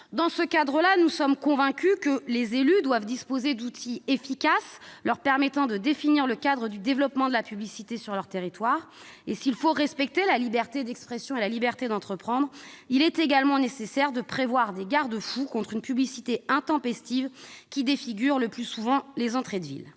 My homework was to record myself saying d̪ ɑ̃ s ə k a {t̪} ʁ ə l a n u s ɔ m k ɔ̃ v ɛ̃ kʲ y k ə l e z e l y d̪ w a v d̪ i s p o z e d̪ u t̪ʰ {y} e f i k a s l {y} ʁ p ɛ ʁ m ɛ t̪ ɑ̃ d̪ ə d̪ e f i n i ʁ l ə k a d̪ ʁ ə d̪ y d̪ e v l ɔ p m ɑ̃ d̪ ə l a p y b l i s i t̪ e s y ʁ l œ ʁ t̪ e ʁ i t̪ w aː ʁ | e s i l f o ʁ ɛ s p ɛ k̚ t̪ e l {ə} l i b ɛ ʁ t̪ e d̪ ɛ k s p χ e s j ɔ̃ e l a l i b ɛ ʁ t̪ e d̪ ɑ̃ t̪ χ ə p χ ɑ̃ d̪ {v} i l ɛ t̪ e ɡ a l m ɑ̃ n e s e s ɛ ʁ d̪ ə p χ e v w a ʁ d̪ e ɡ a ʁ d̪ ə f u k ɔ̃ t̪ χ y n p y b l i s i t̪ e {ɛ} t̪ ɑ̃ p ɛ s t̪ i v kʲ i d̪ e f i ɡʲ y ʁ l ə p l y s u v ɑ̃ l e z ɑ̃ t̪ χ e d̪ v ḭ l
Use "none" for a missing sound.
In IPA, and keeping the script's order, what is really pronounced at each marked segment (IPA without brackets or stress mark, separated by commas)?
d̪, i, œ, a, ʁ, ɛ̃